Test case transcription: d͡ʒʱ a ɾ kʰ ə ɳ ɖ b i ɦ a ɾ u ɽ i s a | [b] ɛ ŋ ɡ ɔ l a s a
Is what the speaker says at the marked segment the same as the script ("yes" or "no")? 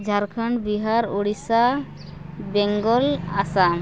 yes